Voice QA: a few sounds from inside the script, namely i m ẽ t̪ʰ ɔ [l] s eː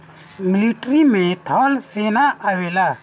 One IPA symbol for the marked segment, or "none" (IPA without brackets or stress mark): l